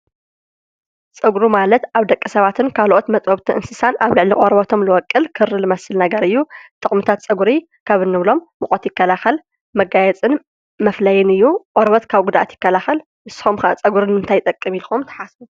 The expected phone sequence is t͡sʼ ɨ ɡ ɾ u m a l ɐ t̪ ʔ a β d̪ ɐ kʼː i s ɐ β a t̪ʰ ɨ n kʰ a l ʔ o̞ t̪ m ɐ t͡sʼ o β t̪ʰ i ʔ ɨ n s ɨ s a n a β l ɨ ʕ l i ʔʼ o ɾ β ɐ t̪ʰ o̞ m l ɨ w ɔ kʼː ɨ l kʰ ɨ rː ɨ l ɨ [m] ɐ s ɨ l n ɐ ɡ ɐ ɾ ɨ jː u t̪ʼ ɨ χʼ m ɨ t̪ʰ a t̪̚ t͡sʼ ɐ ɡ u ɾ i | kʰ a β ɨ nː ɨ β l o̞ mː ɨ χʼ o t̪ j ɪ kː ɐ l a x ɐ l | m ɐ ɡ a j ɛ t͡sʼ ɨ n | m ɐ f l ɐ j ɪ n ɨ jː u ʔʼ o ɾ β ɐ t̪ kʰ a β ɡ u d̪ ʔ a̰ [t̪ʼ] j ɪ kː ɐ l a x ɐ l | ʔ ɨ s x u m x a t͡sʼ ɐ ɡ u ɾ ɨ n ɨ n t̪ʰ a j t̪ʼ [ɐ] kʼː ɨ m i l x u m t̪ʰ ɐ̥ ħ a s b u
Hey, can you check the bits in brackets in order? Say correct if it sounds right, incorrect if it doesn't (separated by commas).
correct, incorrect, correct